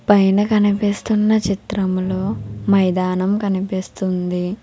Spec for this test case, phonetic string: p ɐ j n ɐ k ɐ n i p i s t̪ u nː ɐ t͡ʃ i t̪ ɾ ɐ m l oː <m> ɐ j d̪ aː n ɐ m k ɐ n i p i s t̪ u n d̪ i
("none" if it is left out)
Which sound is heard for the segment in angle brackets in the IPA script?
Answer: m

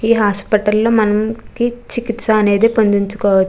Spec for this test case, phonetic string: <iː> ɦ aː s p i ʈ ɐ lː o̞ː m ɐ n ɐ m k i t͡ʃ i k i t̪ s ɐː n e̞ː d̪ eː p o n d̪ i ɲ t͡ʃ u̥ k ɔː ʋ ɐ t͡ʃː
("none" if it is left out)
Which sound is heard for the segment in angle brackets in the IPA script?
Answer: iː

